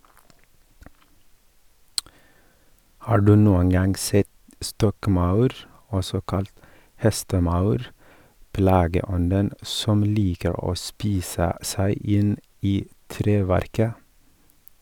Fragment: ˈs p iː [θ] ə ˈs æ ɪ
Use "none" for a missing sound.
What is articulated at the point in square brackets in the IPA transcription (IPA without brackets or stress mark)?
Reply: s